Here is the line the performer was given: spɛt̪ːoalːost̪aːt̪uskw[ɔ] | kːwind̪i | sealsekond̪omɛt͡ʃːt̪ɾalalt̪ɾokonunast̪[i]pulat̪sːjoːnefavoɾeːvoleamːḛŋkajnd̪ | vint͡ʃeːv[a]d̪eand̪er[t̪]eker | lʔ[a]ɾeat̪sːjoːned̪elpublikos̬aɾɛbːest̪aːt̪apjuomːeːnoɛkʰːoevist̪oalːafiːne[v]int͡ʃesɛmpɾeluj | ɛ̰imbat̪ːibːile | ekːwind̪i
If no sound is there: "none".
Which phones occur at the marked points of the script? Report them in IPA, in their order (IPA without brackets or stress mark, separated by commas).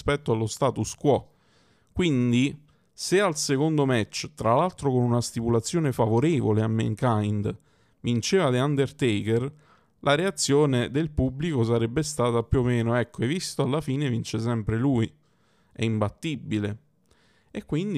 ɔ, i, a, t̪, a, v